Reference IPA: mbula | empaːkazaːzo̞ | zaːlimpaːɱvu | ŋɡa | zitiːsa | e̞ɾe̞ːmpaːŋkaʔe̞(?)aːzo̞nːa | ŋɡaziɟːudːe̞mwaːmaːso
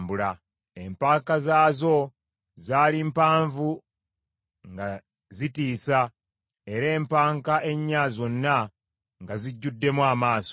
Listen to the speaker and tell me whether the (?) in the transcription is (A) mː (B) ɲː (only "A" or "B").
B